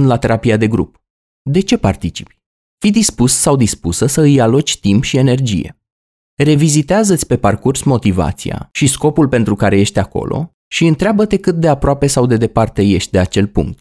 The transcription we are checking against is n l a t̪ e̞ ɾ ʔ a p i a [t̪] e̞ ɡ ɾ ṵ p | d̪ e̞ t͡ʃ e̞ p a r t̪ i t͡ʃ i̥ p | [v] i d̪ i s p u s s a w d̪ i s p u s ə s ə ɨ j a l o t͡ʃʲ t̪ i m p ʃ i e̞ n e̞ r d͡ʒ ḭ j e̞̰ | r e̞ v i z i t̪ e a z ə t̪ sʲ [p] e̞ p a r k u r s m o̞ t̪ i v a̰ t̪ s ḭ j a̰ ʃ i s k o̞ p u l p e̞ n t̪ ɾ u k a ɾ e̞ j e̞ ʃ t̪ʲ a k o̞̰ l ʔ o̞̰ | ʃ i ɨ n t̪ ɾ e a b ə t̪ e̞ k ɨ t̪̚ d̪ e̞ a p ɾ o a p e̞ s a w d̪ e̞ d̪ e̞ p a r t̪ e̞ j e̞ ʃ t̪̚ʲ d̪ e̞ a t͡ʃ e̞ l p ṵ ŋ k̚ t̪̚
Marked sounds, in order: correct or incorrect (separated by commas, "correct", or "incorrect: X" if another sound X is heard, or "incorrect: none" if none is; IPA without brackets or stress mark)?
incorrect: d̪, incorrect: f, correct